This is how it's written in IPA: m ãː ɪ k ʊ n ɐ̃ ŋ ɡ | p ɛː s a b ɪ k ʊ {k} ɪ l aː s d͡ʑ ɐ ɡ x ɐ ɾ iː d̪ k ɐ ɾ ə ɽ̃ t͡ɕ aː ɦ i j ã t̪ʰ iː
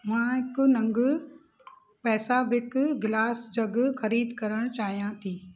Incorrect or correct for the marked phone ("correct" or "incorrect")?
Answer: incorrect